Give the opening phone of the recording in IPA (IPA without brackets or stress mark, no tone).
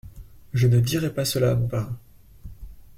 ʒ